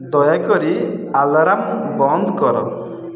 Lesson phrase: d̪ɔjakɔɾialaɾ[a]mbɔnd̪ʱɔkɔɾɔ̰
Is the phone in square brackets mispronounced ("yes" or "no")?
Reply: no